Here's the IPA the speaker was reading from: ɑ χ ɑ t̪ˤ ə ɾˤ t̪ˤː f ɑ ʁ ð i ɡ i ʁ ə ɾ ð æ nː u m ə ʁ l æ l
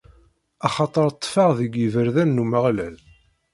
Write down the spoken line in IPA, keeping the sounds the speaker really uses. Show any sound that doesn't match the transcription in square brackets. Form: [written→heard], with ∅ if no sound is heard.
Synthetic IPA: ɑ χ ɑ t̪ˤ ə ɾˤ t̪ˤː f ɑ ʁ ð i ɡ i [ʁ→v] ə ɾ ð æ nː u m ə ʁ l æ l

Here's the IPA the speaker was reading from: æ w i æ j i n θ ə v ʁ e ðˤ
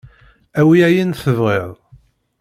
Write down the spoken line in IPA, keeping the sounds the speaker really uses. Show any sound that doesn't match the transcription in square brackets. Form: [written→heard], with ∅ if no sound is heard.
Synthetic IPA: æ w i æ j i n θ ə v ʁ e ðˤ

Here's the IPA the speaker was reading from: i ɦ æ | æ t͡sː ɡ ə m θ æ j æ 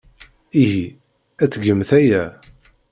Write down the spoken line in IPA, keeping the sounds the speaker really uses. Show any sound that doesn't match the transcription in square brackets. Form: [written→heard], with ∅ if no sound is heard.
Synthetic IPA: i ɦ [æ→i] | æ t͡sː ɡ ə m θ æ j æ

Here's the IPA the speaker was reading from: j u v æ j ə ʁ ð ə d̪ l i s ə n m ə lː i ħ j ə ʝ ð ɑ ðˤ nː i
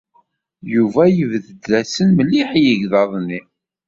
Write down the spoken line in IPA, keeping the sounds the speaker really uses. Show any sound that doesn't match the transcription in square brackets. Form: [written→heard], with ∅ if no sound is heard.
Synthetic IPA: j u v æ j ə [ʁ→v] ð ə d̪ l [i→æ] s ə n m ə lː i ħ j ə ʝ ð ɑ ðˤ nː i

